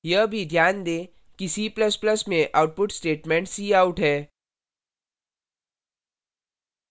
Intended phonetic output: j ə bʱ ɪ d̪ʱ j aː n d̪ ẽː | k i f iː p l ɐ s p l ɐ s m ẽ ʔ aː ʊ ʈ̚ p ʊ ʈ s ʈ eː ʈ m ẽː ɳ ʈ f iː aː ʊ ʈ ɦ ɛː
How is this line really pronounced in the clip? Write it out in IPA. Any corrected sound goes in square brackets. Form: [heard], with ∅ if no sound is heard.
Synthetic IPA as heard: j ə bʱ [i] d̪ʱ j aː n d̪ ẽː | k i [s] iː p l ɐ s p l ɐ s m ẽ ʔ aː ʊ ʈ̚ p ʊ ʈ s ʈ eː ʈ m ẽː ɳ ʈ [s] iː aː ʊ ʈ ɦ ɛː

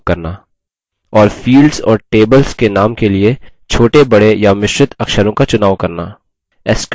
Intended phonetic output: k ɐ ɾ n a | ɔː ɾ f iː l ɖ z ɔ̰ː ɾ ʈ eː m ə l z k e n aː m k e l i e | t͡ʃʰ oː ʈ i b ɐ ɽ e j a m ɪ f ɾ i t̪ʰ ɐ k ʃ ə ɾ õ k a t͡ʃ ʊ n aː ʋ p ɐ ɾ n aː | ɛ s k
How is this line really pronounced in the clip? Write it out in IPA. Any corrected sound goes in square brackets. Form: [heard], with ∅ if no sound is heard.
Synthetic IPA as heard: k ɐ ɾ n a | ɔː ɾ f iː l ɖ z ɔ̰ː ɾ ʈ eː [b] ə l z k e n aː m k e l i e | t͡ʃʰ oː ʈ [e] b ɐ ɽ e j a m ɪ [ʃ] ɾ [ɪ] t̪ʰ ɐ k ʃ ə ɾ õ k a t͡ʃ ʊ n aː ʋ [k] ɐ ɾ n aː | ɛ s k

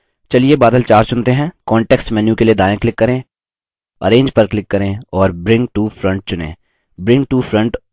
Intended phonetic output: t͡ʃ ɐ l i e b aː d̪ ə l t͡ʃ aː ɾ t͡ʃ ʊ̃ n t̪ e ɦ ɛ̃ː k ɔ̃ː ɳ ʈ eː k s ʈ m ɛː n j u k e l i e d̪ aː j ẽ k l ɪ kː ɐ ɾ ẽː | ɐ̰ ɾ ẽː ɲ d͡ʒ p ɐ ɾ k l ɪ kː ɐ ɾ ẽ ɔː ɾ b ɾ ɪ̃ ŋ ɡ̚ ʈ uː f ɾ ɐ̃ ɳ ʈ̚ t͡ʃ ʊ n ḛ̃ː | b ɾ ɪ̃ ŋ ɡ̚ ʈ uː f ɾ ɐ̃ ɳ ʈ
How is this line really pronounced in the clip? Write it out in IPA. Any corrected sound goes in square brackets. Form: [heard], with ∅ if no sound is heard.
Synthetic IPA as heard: t͡ʃ ɐ l i e b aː d̪ ə l t͡ʃ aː ɾ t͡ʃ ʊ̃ n t̪ e ɦ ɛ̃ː k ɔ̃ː ɳ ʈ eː k s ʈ m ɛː n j u k e l i e d̪ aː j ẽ k l ɪ kː ɐ ɾ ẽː | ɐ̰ ɾ ẽː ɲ d͡ʒ p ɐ ɾ k l ɪ kː ɐ ɾ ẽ ɔː ɾ b ɾ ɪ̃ ŋ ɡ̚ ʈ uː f ɾ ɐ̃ ɳ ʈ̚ t͡ʃ ʊ n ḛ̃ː | b ɾ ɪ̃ ŋ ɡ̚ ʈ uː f ɾ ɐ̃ ɳ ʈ

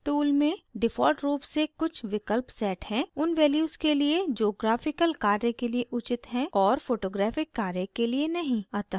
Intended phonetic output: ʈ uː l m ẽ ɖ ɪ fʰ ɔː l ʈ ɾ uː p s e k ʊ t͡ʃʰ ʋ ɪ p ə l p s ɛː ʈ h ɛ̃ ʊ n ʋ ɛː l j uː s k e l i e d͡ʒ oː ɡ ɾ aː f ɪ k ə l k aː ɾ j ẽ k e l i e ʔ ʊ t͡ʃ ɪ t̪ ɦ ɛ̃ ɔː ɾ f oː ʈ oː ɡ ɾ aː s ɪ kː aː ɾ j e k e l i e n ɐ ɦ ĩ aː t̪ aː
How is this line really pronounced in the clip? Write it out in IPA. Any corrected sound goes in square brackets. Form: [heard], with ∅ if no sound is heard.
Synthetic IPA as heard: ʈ uː l m ẽ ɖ ɪ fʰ ɔː l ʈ ɾ uː p s e k ʊ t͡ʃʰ ʋ ɪ [k] ə l p s ɛː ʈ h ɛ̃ ʊ n ʋ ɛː l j uː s k e l i e d͡ʒ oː ɡ ɾ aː f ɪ k ə l k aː ɾ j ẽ k e l i e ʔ ʊ t͡ʃ ɪ t̪ ɦ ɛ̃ ɔː ɾ f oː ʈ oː ɡ ɾ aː [f] ɪ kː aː ɾ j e k e l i e n ɐ ɦ ĩ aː t̪ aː

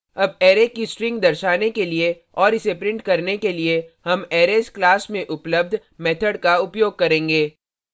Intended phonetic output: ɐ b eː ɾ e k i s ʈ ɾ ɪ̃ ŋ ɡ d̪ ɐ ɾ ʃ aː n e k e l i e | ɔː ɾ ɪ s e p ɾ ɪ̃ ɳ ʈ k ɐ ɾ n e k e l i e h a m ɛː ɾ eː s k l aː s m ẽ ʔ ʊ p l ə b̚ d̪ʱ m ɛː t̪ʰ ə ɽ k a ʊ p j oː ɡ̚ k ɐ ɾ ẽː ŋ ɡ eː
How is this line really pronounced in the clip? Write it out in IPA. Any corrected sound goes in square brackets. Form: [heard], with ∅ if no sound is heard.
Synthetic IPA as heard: ɐ b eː ɾ e k i s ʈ ɾ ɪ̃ ŋ ɡ d̪ ɐ ɾ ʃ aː n e k e l i e | ɔː ɾ ɪ s e p ɾ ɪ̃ ɳ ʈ k ɐ ɾ n e k e l i e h [ɐ] m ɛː ɾ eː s k l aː s m ẽ ʔ ʊ p l ə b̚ d̪ʱ m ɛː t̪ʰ ə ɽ k a ʊ p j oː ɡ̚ k ɐ ɾ ẽː ŋ ɡ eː

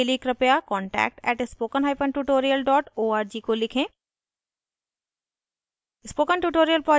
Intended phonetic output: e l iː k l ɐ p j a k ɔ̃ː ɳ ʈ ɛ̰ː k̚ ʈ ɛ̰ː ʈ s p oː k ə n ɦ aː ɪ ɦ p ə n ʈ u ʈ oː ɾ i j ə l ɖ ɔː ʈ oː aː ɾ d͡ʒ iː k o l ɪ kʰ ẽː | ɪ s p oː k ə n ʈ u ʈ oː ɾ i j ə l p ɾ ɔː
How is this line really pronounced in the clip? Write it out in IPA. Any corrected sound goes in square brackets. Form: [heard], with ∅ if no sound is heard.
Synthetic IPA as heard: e l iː k [ɾ] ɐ p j a k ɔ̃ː ɳ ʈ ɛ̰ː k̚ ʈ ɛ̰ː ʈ s p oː k ə n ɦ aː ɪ [∅] p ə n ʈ u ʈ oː ɾ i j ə l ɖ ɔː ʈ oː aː ɾ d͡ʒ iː k o l ɪ kʰ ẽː | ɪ s p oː k ə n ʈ u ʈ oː ɾ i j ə l p ɾ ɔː

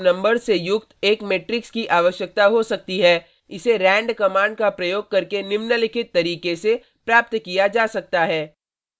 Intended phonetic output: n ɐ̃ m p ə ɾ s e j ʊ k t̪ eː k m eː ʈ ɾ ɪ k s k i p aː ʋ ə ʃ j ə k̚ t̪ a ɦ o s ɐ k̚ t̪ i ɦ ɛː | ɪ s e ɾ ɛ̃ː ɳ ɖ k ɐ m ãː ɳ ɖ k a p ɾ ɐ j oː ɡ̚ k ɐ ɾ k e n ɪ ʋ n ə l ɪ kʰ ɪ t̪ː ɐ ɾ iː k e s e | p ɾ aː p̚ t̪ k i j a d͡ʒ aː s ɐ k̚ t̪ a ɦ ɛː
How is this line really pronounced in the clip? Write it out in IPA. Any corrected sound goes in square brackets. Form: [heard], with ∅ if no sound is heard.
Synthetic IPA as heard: n ɐ̃ m [b] ə ɾ s e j ʊ k t̪ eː k m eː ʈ ɾ ɪ k s k i [ʔ] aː ʋ ə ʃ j ə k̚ t̪ a ɦ o s ɐ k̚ t̪ i ɦ ɛː | ɪ s e ɾ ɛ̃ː ɳ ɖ k ɐ m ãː ɳ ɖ k a p ɾ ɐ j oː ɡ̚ k ɐ ɾ k e n ɪ ʋ n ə l ɪ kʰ ɪ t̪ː ɐ ɾ iː k e s e | p ɾ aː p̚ t̪ k i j a d͡ʒ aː s ɐ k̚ t̪ a ɦ ɛː

